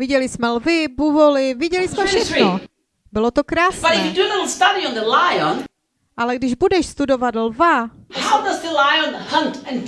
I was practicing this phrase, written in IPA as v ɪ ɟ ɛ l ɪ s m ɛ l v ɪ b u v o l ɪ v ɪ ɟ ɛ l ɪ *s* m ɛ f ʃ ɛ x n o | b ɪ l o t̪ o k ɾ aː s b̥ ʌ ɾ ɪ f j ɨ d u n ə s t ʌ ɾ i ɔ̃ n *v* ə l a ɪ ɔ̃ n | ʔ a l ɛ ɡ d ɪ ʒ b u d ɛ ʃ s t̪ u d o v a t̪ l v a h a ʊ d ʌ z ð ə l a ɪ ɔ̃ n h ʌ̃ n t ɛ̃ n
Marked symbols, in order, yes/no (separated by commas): yes, no